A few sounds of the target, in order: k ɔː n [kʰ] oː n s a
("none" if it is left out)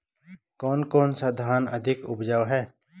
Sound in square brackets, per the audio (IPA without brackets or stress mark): k